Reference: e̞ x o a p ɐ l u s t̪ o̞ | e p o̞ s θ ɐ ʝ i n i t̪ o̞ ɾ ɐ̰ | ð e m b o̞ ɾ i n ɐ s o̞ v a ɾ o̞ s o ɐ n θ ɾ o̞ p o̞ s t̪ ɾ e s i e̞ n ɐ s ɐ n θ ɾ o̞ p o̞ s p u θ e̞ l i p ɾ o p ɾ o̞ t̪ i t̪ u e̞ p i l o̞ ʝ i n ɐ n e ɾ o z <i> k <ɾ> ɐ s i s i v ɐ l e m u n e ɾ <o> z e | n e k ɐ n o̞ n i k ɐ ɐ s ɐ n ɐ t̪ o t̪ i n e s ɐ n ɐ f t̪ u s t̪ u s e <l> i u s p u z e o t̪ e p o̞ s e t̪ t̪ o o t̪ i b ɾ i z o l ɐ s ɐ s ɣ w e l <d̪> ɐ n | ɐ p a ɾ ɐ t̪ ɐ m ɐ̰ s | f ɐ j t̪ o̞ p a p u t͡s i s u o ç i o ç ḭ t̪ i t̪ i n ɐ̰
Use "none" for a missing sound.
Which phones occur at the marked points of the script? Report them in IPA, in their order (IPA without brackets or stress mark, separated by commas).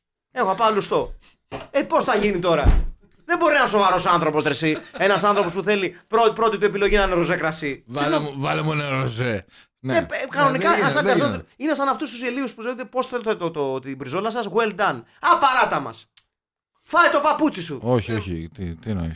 e, ɾ, o, l, d̪